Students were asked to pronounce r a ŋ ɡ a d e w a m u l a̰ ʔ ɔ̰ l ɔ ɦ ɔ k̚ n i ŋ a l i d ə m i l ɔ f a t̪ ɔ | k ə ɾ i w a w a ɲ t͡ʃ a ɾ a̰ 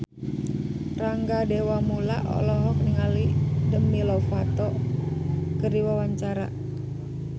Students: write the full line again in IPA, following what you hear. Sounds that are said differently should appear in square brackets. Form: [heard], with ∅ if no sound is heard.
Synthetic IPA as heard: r a ŋ ɡ a d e w a m u l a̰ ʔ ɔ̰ l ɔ ɦ ɔ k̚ n i ŋ a l i d ə m i l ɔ f a t̪ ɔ | k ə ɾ i w a w a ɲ t͡ʃ a ɾ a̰